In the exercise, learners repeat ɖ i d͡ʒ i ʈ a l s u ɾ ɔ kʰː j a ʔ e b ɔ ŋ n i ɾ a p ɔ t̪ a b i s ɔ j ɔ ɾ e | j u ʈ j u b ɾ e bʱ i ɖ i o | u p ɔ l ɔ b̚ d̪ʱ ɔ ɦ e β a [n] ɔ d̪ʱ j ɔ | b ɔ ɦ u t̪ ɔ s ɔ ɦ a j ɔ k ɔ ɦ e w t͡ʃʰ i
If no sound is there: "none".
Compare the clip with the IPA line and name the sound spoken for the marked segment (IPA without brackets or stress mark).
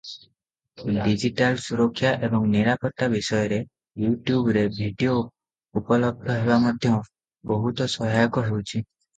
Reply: m